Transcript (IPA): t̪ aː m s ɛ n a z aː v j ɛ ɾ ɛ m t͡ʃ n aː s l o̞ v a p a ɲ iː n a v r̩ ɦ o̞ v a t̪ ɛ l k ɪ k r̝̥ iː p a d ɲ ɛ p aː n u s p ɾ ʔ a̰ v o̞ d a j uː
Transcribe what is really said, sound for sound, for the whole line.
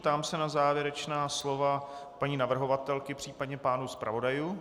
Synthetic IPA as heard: t̪ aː m s ɛ n a z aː v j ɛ ɾ ɛ t͡ʃ n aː s l o̞ v a p a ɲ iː n a v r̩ ɦ o̞ v a t̪ ɛ l k ɪ p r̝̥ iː p a d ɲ ɛ p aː n u s p ɾ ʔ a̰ v o̞ d a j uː